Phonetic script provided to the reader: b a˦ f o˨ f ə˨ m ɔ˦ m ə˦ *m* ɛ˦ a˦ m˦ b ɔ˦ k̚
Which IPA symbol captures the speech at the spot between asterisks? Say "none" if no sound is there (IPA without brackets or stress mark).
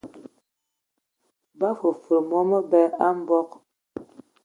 b